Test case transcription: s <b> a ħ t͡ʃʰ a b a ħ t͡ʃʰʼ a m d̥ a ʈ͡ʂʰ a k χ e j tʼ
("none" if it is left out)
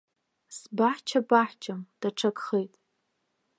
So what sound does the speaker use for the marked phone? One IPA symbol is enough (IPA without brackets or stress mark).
b